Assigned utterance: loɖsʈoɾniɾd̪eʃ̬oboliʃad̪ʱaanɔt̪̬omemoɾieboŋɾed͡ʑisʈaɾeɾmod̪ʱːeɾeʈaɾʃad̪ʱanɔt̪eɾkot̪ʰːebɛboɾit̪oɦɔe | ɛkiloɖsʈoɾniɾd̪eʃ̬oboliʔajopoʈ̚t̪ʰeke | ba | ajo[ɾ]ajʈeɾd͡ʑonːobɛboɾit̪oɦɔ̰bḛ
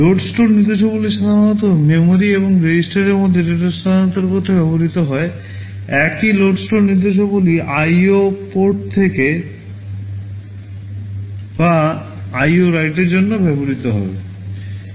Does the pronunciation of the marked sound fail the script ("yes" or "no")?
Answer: no